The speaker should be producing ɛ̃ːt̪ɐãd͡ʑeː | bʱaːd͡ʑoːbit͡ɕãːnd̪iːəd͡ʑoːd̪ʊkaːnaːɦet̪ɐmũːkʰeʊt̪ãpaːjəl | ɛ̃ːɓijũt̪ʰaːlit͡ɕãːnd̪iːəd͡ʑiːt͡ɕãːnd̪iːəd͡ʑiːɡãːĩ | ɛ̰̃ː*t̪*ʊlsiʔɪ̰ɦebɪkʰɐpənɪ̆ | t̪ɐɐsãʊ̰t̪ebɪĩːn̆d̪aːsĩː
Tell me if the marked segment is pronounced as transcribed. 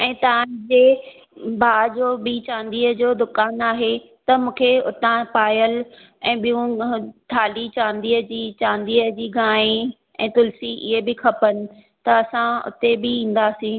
yes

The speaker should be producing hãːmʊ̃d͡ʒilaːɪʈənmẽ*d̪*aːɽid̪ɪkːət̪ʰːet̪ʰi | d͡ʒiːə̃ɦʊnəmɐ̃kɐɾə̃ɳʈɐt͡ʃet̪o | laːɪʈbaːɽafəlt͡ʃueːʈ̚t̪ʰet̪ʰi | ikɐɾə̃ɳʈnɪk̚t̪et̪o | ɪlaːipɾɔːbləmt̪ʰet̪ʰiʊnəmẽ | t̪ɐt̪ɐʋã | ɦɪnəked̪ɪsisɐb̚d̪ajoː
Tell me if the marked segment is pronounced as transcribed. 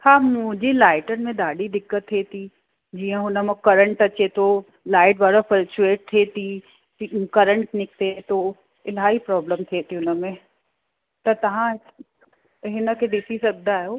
yes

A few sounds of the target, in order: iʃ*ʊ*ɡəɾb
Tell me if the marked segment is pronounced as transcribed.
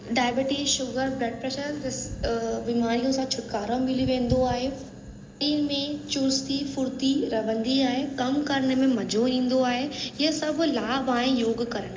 yes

